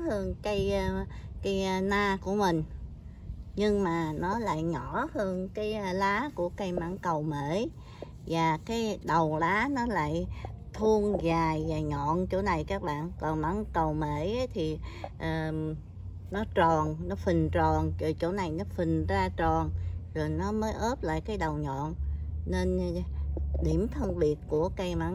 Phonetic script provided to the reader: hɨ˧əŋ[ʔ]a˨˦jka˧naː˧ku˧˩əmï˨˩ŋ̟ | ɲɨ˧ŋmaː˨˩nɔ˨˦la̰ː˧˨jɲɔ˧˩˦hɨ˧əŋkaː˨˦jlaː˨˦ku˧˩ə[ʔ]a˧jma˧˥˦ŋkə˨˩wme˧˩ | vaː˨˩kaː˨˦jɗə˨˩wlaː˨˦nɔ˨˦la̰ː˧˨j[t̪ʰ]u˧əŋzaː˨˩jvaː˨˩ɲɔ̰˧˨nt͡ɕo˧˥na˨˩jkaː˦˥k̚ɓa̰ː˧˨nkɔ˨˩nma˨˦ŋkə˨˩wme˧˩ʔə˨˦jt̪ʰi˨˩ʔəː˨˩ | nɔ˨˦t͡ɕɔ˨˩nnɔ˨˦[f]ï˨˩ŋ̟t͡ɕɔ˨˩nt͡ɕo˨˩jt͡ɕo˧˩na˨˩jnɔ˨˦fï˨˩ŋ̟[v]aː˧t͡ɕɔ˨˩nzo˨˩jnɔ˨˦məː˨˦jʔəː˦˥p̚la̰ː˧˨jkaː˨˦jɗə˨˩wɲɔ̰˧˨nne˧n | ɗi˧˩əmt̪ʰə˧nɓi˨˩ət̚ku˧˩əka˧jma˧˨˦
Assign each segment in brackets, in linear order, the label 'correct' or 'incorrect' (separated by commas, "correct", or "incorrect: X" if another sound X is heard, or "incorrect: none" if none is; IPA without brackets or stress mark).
incorrect: k, incorrect: k, correct, correct, incorrect: z